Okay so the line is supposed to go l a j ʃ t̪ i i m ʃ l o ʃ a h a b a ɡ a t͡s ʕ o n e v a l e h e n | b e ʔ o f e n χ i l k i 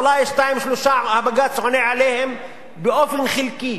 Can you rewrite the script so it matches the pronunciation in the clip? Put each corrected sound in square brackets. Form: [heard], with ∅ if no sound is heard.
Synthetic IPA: l a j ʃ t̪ [a] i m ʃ l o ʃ a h a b a ɡ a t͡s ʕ o n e [ʕ] a l e h e [m] | b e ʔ o f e n χ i l k i